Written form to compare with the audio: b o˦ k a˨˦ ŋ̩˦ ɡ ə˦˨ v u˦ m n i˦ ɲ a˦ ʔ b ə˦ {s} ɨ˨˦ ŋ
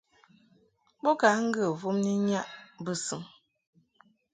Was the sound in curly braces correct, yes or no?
yes